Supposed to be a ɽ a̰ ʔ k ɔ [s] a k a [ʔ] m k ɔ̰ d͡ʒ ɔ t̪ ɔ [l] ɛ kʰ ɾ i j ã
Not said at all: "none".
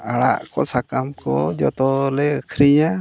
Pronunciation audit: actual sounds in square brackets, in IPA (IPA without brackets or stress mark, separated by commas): s, none, l